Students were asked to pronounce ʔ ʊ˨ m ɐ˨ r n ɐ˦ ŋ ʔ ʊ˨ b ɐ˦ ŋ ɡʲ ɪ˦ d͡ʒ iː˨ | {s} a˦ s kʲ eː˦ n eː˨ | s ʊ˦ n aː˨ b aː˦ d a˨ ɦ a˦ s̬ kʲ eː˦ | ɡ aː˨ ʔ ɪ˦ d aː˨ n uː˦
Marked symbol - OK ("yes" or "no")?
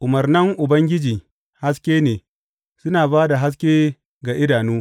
no